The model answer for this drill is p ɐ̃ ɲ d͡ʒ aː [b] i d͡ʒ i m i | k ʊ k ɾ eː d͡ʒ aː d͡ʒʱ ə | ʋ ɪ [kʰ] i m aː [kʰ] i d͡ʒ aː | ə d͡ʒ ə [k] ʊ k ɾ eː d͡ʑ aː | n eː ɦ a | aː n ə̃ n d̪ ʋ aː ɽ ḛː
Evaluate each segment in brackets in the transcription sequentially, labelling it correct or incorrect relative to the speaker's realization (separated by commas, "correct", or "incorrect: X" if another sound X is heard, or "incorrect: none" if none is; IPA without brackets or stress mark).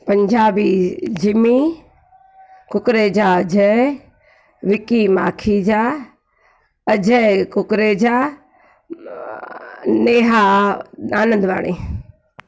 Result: correct, incorrect: k, correct, correct